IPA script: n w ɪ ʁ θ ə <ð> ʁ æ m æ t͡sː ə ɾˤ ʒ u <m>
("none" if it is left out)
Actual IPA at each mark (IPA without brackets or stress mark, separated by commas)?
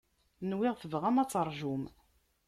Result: v, m